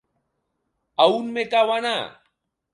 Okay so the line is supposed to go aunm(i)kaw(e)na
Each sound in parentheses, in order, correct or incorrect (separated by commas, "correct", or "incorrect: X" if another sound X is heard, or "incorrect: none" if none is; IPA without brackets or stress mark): incorrect: e, incorrect: a